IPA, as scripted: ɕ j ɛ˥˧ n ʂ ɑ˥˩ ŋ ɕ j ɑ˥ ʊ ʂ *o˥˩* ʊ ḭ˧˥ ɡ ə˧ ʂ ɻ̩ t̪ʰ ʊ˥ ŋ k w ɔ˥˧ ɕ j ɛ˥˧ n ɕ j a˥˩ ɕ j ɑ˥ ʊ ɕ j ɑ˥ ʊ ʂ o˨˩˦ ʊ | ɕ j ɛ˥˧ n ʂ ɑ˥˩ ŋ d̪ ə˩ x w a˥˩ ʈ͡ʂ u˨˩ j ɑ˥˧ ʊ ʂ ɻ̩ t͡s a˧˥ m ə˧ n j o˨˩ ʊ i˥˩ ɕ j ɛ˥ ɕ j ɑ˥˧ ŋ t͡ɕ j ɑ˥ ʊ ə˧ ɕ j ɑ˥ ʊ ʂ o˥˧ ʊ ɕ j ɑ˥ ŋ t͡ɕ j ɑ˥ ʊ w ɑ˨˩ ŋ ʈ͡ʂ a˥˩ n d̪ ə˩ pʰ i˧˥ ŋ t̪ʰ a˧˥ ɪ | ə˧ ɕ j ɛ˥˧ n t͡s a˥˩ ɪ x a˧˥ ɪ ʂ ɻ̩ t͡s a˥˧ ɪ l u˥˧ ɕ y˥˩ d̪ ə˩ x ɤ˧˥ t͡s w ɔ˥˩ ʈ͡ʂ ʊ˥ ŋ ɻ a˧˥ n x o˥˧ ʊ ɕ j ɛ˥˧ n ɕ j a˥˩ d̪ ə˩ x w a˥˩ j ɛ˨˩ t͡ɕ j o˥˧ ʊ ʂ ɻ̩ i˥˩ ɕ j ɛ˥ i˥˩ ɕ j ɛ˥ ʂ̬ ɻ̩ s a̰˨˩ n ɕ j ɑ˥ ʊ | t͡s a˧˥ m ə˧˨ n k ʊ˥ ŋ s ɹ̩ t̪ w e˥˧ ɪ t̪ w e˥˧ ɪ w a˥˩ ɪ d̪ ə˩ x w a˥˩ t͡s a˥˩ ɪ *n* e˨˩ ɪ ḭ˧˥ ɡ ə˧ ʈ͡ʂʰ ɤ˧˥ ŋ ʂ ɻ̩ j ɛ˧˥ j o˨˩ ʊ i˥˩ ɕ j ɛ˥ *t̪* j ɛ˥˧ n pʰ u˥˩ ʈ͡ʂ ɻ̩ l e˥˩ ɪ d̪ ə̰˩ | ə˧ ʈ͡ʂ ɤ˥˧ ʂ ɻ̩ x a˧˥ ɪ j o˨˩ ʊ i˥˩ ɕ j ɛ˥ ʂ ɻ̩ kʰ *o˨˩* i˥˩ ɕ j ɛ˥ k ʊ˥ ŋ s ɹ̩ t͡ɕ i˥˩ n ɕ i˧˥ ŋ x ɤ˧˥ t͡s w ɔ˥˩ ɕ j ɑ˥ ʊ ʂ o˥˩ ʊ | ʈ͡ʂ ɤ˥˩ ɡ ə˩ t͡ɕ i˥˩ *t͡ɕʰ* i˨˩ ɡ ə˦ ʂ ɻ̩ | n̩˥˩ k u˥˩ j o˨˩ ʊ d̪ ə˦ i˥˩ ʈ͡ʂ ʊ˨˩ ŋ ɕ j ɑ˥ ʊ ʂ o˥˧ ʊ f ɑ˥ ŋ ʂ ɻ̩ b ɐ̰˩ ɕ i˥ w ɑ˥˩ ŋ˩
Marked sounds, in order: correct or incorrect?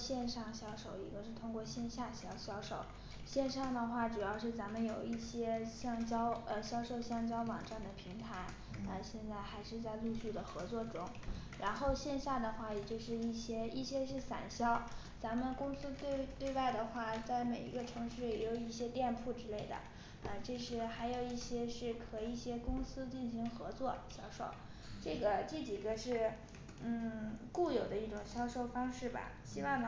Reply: incorrect: o˨˩, incorrect: m, correct, incorrect: ɤ˨˩, incorrect: t͡ɕ

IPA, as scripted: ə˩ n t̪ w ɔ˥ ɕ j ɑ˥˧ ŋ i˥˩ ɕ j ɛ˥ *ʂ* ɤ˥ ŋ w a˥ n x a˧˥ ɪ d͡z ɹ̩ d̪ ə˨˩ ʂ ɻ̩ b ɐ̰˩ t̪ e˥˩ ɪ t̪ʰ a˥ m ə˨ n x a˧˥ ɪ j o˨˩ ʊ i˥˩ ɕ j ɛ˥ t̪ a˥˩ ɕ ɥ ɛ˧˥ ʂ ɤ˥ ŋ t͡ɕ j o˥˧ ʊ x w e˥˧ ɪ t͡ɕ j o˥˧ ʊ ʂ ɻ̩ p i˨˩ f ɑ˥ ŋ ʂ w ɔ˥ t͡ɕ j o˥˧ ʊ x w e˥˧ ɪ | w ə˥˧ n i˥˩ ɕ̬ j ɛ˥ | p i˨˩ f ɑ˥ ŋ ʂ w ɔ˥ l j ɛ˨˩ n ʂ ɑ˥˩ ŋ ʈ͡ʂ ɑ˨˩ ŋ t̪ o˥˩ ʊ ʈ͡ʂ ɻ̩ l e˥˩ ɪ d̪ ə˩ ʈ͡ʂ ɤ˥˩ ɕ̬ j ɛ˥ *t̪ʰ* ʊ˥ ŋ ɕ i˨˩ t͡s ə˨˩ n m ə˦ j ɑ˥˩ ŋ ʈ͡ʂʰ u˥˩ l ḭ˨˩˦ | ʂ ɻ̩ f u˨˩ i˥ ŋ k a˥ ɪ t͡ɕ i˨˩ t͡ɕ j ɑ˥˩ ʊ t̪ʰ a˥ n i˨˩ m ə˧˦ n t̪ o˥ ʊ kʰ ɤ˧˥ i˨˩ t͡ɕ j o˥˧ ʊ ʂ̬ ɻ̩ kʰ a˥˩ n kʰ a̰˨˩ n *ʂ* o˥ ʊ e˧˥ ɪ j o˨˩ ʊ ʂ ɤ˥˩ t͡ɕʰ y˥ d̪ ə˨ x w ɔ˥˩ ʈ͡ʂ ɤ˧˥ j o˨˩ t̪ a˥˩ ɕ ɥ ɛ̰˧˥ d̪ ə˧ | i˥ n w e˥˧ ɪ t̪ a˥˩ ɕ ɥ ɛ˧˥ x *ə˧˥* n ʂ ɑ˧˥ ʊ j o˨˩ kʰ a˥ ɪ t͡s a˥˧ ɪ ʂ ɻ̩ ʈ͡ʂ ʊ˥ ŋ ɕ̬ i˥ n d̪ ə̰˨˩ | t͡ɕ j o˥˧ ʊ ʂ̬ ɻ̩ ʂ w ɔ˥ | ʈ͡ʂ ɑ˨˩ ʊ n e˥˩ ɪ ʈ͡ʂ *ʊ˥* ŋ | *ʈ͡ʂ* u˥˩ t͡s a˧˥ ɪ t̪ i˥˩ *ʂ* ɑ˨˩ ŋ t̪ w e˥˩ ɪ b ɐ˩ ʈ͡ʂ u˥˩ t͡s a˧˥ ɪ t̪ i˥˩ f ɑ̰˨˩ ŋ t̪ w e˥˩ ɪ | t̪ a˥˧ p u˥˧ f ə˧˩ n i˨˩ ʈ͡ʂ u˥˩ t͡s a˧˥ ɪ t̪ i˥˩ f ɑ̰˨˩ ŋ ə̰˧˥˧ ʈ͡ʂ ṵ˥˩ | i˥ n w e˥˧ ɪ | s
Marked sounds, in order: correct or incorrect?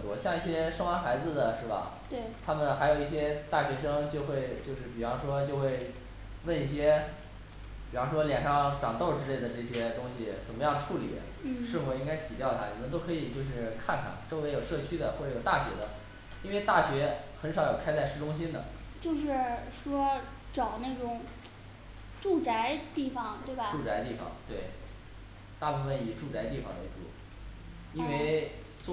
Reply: correct, incorrect: t̪, incorrect: ʈ͡ʂ, correct, incorrect: ʊ˨˩˦, correct, incorrect: f

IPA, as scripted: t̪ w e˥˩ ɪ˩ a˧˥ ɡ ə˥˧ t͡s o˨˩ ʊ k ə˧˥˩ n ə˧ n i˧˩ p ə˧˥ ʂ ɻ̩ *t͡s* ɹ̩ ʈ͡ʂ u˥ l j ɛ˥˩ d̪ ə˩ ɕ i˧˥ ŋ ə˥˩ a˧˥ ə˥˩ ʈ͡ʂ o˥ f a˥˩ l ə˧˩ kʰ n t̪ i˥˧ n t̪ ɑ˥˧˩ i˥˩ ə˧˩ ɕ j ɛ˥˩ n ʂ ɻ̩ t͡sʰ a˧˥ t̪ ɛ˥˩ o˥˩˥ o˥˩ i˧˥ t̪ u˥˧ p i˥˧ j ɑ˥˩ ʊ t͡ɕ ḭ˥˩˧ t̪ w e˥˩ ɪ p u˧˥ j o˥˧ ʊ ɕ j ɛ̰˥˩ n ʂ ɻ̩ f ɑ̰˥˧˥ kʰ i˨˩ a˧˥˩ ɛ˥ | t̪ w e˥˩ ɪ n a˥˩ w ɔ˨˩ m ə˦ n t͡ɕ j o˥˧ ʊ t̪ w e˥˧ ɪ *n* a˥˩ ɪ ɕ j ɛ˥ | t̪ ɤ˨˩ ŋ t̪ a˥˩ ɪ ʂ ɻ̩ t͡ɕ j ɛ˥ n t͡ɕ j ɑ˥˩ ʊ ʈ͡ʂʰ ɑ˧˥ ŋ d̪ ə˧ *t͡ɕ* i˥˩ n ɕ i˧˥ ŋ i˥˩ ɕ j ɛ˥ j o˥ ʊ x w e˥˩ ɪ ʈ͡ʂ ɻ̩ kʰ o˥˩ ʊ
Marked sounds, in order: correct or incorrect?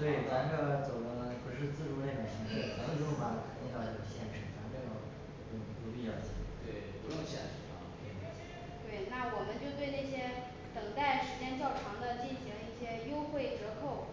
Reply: correct, correct, correct

